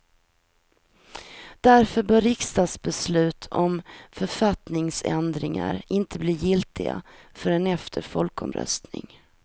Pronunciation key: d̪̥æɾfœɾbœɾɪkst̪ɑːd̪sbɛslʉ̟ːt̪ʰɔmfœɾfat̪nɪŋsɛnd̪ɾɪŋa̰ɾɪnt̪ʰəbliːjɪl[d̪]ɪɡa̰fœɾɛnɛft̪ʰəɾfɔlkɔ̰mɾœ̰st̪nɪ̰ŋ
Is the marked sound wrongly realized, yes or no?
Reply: yes